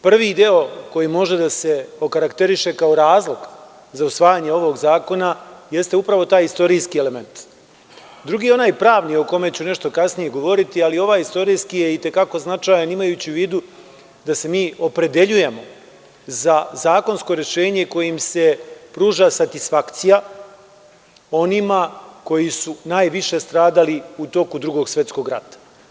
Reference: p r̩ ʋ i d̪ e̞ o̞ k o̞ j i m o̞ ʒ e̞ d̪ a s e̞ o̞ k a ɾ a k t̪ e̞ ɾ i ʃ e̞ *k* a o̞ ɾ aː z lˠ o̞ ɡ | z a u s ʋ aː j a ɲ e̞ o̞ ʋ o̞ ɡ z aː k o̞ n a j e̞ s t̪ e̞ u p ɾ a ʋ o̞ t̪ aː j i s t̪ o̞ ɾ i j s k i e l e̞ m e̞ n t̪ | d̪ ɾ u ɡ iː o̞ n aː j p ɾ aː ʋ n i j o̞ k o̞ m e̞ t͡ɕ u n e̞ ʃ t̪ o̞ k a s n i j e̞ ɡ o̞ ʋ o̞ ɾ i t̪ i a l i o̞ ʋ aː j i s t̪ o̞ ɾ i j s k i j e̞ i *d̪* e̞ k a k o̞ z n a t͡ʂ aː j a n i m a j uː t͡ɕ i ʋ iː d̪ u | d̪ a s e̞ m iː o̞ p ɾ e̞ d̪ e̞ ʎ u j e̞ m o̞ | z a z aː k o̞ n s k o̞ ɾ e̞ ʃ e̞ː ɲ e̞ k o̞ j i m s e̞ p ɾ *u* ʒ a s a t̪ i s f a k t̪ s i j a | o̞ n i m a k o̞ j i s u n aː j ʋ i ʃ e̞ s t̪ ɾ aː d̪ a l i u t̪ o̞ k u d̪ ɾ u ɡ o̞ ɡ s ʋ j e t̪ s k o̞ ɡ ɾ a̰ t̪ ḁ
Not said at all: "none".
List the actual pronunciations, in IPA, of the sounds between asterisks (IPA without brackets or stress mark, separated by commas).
k, t̪, uː